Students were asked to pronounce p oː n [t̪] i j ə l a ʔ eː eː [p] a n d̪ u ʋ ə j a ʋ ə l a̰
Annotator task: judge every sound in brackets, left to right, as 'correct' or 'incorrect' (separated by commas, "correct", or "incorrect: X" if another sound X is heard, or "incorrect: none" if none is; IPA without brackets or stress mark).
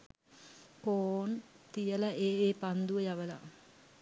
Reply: correct, correct